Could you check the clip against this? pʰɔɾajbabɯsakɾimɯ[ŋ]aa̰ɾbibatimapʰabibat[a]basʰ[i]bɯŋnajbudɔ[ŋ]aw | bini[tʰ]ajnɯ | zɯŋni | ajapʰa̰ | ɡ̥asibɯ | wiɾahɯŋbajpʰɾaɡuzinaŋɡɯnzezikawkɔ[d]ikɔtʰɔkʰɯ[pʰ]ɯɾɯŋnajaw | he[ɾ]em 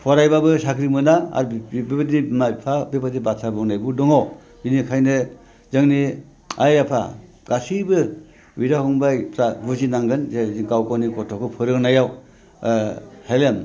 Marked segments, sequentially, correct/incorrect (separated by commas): incorrect, incorrect, incorrect, correct, incorrect, incorrect, correct, incorrect